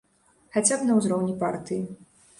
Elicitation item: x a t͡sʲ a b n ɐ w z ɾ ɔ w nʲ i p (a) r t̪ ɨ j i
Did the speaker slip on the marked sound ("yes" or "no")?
no